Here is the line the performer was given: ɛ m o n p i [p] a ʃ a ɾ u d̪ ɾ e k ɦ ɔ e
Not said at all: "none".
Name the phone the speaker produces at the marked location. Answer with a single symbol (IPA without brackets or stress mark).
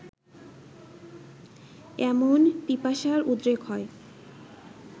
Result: p